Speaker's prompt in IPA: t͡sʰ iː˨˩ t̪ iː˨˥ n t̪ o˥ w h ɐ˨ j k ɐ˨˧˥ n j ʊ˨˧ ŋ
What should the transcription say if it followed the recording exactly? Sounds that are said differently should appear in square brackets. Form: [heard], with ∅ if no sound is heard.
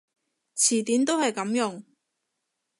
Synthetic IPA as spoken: t͡sʰ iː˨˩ t̪ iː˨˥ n t̪ o˥ w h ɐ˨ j k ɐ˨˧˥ [m] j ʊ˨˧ ŋ